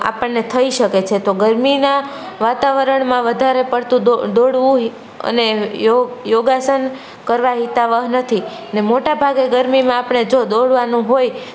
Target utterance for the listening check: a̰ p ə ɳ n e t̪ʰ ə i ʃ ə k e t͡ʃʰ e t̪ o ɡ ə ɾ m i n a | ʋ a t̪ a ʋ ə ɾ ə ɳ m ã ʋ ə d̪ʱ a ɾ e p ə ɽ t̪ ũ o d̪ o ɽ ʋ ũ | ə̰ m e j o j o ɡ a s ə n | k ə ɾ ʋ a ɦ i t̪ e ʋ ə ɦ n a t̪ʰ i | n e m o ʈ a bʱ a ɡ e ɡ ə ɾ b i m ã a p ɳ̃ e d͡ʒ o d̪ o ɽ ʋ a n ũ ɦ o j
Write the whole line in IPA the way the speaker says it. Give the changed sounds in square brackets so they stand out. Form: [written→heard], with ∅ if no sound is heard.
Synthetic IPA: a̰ p ə ɳ n e t̪ʰ ə i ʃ ə k e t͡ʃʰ e t̪ o ɡ ə ɾ m i n a | ʋ a t̪ a ʋ ə ɾ ə ɳ m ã ʋ ə d̪ʱ a ɾ e p ə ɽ t̪ ũ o d̪ o ɽ ʋ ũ | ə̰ [m→n] e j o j o ɡ a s ə n | k ə ɾ ʋ a ɦ i t̪ [e→a] ʋ ə ɦ n [a→ə] t̪ʰ i | n e m o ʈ a bʱ a ɡ e ɡ ə ɾ [b→m] i m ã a p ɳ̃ e d͡ʒ o d̪ o ɽ ʋ a n ũ ɦ o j